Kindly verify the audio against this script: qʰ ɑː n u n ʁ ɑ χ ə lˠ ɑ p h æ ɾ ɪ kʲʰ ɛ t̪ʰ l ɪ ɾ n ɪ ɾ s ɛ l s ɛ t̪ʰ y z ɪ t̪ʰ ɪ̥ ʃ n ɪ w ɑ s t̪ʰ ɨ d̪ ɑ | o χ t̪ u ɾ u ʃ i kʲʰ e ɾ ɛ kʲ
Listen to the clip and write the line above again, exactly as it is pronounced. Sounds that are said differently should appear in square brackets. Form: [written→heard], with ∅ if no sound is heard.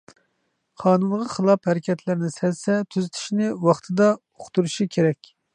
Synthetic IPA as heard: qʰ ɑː n u n ʁ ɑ χ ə lˠ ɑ p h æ ɾ ɪ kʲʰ ɛ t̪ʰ l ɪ ɾ n ɪ [ɾ→∅] s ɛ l s ɛ t̪ʰ y z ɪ t̪ʰ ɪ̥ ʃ n ɪ w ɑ [s→χ] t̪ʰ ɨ d̪ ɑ | o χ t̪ u ɾ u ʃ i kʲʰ e ɾ ɛ kʲ